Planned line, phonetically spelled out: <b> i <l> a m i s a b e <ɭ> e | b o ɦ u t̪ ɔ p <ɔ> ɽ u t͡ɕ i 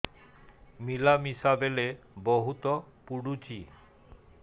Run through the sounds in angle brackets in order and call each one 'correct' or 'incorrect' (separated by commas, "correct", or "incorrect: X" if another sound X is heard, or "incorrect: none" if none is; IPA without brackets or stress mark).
incorrect: m, correct, incorrect: l, incorrect: u